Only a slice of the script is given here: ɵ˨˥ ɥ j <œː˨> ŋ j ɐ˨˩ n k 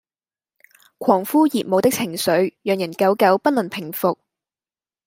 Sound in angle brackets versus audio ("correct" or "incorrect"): correct